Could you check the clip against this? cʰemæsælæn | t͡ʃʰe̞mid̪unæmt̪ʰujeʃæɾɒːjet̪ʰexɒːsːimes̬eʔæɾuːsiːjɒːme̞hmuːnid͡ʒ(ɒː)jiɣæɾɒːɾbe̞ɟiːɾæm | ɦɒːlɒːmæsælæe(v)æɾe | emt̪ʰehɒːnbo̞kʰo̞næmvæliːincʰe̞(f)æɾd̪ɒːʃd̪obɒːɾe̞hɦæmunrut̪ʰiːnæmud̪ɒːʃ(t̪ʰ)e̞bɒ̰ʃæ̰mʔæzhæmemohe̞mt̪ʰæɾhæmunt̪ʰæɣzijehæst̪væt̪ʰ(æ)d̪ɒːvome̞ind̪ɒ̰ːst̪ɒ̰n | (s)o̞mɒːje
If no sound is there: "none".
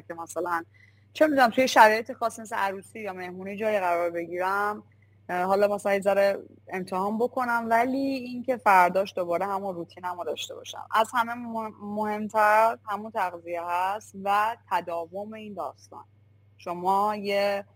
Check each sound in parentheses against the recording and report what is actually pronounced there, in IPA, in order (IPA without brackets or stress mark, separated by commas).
ɒː, z, f, t̪, æ, ʃ